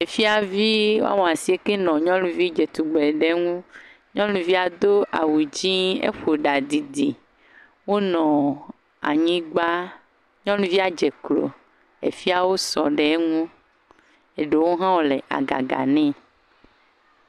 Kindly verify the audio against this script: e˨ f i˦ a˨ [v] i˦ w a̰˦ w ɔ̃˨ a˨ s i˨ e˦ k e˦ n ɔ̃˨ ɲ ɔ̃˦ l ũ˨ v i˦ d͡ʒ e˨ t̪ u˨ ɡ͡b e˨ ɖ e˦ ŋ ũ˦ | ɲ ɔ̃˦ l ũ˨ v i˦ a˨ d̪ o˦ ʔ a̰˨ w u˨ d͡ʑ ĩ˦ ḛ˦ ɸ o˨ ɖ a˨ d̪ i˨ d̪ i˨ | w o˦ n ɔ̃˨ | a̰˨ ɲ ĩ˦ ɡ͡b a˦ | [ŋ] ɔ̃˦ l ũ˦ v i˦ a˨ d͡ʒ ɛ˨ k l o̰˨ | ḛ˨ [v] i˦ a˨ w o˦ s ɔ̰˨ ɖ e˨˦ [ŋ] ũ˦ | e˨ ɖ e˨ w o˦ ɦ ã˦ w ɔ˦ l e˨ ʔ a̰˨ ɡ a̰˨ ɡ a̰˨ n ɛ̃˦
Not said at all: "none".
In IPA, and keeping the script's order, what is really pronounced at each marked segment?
v, ɲ, f, ŋ

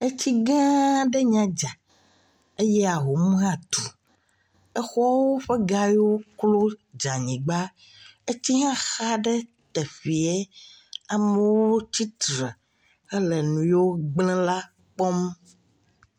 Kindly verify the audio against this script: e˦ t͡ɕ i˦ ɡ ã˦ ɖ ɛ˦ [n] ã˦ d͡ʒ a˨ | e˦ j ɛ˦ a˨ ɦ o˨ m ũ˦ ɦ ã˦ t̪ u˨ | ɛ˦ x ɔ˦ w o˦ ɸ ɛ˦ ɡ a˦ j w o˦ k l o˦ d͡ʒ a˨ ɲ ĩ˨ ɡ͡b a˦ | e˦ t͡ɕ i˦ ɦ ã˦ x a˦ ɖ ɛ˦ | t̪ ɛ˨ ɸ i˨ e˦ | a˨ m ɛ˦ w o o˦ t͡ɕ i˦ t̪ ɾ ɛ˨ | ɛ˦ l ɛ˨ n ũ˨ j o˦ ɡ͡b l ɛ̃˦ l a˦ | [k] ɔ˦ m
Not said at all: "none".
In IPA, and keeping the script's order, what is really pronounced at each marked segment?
ɲ, k͡p

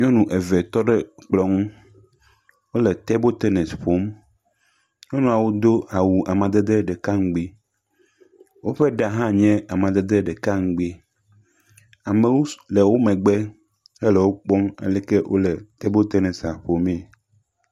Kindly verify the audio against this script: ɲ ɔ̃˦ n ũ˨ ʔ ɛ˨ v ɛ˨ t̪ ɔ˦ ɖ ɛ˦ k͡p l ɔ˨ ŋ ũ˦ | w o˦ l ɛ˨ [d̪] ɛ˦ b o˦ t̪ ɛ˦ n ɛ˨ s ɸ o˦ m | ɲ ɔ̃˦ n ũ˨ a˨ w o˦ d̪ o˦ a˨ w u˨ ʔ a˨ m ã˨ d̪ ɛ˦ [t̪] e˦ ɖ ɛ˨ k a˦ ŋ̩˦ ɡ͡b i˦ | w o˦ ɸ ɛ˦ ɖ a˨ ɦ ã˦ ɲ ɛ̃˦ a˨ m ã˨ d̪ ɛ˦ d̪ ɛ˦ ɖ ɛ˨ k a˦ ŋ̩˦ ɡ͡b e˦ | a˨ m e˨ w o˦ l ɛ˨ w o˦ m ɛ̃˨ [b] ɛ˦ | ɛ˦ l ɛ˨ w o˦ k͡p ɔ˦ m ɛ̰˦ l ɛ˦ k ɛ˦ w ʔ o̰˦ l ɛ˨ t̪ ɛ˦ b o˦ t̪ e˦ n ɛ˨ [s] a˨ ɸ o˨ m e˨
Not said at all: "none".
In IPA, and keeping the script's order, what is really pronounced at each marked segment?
t̪, d̪, ɡ͡b, s

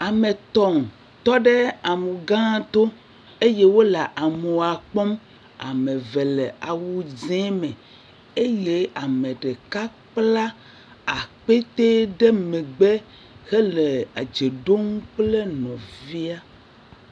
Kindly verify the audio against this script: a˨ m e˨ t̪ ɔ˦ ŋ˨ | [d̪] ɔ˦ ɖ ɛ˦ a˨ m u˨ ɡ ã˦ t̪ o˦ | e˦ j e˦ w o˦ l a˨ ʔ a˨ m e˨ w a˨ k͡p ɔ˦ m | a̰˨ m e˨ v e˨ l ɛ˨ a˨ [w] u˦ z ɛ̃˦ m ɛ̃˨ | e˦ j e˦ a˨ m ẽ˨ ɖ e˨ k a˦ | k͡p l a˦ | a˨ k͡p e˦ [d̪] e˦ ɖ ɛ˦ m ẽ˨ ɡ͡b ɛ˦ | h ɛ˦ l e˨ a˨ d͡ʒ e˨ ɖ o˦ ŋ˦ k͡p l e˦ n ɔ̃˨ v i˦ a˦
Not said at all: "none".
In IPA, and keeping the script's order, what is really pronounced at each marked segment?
t̪, w, t̪

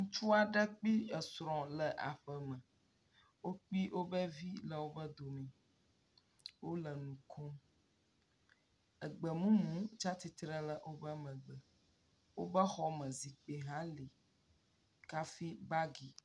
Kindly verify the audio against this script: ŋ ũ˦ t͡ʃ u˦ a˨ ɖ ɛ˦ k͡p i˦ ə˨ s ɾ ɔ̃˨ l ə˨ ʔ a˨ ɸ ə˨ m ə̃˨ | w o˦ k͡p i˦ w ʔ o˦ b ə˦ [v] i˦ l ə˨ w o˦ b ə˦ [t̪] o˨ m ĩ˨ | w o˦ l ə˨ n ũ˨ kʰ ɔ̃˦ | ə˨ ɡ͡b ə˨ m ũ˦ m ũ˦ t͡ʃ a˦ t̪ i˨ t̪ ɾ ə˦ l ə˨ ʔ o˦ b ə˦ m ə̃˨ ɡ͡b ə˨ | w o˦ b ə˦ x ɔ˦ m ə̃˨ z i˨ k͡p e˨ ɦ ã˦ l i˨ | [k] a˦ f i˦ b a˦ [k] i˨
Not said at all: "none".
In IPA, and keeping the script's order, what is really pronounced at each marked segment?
v, d̪, k, ɡ

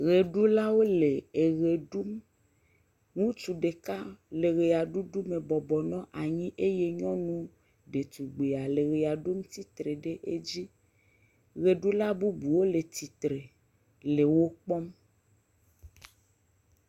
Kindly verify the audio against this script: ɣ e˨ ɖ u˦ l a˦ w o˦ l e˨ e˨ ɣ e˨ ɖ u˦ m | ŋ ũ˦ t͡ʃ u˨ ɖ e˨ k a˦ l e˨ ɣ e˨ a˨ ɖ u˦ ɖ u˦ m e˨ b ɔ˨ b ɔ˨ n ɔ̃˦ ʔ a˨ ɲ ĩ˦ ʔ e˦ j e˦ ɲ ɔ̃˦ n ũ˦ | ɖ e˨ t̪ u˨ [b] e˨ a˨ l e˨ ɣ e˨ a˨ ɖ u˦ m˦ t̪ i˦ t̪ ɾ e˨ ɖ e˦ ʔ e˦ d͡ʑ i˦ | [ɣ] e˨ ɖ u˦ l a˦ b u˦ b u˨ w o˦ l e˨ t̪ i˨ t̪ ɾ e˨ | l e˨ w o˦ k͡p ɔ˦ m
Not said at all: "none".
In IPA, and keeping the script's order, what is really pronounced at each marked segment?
ɡ͡b, ɣ

